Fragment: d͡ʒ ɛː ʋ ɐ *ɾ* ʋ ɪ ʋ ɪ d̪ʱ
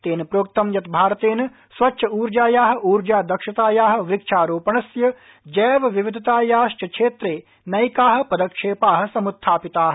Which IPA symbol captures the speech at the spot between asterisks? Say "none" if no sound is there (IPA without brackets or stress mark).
none